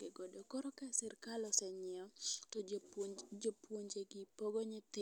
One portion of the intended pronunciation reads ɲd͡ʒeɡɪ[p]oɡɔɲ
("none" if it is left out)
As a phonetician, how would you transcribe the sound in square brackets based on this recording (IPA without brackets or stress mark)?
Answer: p